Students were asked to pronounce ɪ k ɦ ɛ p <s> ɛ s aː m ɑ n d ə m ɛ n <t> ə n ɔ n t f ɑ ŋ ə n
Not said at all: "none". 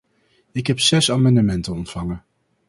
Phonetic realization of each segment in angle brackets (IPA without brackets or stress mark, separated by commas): s, t